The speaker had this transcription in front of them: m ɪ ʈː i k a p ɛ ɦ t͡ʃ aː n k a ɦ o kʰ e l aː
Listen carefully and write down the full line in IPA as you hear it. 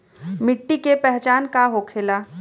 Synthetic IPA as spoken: m ɪ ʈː i k e p ɛ ɦ t͡ʃ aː n k a ɦ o kʰ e l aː